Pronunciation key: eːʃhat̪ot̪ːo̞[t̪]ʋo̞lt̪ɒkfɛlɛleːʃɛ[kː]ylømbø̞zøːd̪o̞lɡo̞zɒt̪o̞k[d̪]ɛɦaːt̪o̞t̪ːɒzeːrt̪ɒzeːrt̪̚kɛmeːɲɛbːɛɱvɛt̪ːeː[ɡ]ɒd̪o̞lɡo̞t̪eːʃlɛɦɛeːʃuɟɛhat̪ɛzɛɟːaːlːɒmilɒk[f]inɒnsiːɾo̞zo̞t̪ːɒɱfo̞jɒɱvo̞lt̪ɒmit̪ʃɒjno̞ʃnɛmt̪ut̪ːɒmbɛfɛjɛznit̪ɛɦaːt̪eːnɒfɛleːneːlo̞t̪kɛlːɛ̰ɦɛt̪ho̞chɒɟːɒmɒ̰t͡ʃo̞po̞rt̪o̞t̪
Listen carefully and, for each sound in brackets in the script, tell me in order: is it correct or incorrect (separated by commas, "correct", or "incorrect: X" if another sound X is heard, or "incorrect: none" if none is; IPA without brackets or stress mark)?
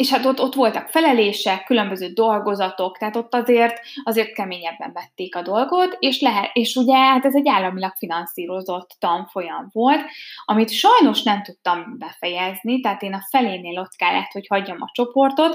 correct, correct, incorrect: t̪, incorrect: k, correct